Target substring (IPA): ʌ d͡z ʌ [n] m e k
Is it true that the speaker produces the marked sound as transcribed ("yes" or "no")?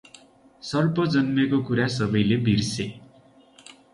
yes